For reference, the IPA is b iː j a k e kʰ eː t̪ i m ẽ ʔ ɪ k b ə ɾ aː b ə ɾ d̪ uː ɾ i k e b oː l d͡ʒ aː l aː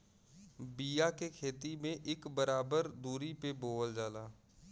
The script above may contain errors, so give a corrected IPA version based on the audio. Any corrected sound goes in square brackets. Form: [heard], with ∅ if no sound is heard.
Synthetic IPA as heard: b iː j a k e kʰ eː t̪ i m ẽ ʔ ɪ k b ə ɾ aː b ə ɾ d̪ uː ɾ i [p] e b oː l d͡ʒ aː l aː